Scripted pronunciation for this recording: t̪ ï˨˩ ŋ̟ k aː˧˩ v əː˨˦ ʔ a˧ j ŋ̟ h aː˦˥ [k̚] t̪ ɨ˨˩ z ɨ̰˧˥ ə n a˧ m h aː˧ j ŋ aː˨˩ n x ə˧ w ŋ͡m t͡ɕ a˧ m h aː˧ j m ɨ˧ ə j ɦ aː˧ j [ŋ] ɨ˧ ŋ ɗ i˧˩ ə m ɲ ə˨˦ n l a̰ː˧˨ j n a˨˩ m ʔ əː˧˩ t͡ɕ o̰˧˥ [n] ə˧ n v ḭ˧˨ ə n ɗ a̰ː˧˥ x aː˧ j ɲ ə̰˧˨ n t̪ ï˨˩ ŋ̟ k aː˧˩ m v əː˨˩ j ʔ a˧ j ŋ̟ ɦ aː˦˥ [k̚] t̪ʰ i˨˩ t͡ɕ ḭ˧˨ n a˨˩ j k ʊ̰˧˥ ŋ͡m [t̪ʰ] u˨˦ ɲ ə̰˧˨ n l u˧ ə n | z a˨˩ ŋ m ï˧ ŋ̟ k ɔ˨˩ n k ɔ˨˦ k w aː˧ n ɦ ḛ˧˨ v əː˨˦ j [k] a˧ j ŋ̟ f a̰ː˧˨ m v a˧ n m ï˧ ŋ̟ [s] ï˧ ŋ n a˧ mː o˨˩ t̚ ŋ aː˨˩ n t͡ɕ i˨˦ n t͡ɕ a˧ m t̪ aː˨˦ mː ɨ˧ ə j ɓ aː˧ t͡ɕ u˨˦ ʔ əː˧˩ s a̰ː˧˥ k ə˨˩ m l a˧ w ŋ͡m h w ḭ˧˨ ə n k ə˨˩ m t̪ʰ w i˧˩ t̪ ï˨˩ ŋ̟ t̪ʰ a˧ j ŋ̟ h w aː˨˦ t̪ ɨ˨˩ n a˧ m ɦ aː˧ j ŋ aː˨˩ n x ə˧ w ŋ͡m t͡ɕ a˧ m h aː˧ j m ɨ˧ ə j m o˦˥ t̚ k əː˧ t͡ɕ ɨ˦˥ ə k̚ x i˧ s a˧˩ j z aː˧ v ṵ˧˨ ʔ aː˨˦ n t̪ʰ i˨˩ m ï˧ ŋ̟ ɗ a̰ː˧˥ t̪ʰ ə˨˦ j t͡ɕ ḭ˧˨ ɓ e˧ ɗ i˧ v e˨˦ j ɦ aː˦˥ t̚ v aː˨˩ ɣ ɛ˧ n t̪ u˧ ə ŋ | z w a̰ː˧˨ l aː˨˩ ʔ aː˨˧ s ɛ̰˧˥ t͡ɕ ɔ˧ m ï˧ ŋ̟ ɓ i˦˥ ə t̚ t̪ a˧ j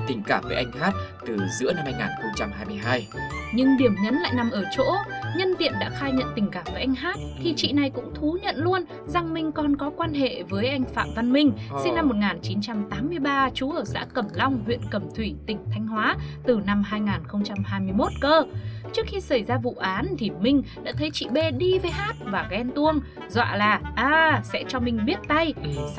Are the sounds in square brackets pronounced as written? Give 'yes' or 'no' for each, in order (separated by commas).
no, no, no, no, yes, no, yes